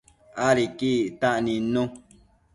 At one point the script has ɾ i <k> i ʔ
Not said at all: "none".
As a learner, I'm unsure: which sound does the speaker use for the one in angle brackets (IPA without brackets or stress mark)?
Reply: k